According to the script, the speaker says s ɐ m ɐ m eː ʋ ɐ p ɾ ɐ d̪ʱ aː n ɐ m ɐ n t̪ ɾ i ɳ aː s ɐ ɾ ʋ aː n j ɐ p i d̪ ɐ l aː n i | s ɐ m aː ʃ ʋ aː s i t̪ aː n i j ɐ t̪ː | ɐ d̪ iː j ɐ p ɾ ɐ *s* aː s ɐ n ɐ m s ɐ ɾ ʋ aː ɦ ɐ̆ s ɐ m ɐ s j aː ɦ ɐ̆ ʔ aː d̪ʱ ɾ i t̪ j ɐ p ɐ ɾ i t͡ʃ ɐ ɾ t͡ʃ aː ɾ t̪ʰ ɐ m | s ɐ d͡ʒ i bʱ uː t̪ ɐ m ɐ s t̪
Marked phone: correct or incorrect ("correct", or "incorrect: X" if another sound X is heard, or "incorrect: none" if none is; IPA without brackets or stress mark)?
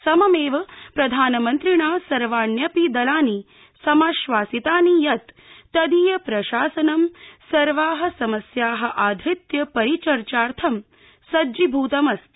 incorrect: ʃ